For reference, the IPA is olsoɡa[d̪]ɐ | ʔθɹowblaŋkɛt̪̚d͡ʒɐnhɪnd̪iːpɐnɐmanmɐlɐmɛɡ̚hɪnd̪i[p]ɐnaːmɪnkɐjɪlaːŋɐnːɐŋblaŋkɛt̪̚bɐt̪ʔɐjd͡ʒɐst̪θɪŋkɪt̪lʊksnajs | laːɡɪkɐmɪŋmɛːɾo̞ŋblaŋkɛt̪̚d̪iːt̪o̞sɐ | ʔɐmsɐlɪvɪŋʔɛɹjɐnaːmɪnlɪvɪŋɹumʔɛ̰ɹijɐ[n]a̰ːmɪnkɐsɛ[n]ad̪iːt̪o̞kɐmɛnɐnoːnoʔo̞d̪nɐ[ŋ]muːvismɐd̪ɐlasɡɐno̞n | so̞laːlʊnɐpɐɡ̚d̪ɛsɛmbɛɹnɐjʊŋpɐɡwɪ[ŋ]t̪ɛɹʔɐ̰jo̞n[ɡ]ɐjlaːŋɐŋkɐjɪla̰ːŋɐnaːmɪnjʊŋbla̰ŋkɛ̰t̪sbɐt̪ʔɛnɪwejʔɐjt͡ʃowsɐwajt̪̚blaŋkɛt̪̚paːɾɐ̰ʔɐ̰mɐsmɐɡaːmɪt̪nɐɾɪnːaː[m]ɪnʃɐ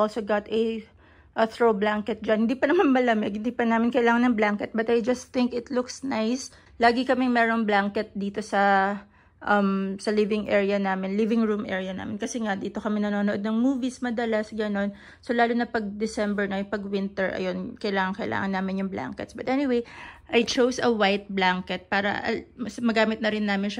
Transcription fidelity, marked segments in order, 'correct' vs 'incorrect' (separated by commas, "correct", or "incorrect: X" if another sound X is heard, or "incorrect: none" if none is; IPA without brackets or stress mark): incorrect: t̪, correct, correct, incorrect: ŋ, correct, incorrect: n, incorrect: k, correct